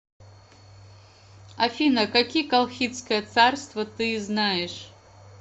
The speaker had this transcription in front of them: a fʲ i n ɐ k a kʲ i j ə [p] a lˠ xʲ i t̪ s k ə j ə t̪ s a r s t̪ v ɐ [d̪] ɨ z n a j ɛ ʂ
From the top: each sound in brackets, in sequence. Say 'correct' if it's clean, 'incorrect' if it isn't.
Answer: incorrect: k, incorrect: t̪

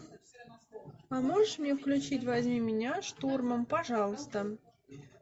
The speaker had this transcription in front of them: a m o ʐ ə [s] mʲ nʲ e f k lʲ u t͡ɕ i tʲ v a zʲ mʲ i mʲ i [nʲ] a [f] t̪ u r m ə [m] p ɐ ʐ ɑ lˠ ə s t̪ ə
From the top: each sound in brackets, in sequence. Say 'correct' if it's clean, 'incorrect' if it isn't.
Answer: incorrect: ʂ, correct, incorrect: ʂ, correct

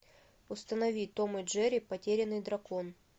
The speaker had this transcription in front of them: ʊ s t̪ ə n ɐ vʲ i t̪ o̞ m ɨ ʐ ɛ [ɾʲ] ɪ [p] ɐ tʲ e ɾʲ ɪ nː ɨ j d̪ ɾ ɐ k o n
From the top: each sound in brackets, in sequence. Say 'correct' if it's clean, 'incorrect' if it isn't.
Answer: correct, correct

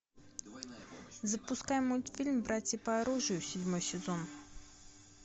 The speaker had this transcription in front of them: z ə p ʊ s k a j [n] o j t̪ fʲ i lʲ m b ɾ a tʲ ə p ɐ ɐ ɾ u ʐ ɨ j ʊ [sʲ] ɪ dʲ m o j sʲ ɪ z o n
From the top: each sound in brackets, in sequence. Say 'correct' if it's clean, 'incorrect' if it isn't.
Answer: incorrect: m, correct

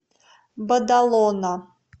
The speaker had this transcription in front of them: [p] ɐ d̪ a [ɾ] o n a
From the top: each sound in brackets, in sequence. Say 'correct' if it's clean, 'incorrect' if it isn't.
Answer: incorrect: b, incorrect: l

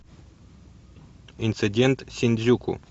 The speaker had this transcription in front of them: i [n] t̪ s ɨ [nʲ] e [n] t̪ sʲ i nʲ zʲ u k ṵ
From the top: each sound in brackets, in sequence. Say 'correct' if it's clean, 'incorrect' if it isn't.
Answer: correct, incorrect: dʲ, correct

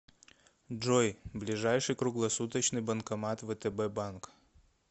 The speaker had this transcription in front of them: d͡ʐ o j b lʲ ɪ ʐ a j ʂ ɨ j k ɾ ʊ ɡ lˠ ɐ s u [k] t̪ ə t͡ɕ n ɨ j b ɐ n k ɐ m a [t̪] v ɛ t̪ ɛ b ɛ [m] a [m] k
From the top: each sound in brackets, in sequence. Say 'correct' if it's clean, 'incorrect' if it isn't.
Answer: incorrect: none, correct, incorrect: b, incorrect: n

